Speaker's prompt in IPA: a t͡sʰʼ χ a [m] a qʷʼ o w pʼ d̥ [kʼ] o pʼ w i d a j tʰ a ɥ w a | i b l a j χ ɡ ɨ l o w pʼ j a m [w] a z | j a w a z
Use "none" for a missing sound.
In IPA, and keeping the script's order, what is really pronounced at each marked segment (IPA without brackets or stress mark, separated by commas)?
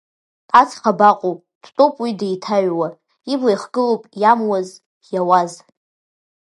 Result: b, tʼ, w